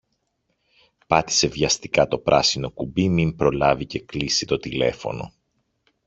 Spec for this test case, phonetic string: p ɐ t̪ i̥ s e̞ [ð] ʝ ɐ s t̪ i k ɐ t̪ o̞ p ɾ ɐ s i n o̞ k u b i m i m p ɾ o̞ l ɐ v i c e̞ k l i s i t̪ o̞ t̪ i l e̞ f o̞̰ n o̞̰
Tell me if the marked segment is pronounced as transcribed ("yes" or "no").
no